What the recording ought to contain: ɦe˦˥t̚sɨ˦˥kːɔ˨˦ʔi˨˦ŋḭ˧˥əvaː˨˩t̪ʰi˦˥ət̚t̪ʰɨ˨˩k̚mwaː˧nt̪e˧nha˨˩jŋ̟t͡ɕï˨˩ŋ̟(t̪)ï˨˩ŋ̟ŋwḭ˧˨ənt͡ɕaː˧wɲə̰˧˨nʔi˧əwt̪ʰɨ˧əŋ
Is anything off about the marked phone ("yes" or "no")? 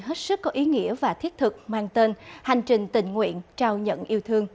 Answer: no